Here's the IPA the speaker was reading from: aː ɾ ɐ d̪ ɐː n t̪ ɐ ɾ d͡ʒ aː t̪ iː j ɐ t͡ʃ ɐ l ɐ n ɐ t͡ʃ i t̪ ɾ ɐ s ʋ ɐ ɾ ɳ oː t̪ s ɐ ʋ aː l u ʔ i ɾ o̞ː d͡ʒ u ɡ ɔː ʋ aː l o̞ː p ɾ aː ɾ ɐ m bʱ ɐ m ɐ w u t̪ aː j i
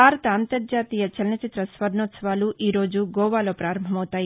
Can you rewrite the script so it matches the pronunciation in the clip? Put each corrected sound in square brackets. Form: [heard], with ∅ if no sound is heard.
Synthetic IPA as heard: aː ɾ ɐ [t̪] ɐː n t̪ ɐ ɾ d͡ʒ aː t̪ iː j ɐ t͡ʃ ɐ l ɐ n ɐ t͡ʃ i t̪ ɾ ɐ s ʋ ɐ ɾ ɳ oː t̪ s ɐ ʋ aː l u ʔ [iː] ɾ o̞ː d͡ʒ u ɡ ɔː ʋ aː l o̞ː p ɾ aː ɾ ɐ m bʱ ɐ m ɐ w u t̪ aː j i